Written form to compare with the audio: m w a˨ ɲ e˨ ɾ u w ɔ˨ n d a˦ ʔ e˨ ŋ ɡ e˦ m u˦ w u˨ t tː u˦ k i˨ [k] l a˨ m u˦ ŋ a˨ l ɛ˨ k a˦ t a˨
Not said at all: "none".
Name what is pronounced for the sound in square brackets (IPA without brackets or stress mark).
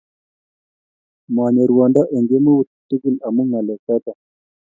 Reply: none